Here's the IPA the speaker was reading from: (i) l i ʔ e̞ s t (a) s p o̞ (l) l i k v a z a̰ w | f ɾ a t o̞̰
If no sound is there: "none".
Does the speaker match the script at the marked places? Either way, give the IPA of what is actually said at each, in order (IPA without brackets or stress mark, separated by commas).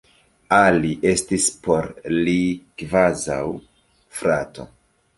a, i, ɾ